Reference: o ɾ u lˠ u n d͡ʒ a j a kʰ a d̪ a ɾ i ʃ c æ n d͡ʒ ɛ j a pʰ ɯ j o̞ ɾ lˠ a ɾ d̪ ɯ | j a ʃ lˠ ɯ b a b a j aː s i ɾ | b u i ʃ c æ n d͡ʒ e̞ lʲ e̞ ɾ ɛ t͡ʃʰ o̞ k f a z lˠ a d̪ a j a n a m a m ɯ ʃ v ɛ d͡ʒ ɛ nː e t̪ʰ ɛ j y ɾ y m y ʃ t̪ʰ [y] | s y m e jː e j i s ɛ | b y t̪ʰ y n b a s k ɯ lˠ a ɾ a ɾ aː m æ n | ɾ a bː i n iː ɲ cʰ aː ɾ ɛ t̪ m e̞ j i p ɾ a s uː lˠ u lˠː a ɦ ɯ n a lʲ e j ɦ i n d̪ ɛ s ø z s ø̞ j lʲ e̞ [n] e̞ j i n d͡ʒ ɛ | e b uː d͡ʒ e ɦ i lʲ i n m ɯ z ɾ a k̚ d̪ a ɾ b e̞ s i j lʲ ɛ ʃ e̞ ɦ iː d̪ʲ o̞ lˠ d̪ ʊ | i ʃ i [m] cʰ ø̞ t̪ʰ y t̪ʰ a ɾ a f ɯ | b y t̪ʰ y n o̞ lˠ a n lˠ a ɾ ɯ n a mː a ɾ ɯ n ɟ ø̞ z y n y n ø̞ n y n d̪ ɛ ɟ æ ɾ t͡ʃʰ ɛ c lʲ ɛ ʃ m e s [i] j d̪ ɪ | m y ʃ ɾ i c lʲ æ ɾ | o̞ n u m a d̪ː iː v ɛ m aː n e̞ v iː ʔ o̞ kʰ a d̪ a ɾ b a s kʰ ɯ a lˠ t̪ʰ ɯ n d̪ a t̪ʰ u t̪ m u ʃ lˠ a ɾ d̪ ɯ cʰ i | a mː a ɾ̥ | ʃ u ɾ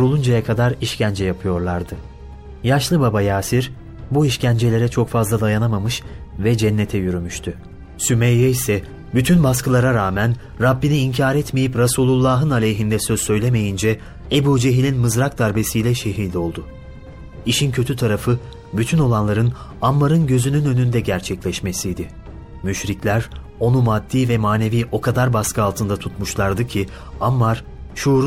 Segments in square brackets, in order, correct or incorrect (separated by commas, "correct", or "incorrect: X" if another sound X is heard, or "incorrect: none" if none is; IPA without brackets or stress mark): correct, incorrect: m, incorrect: n, correct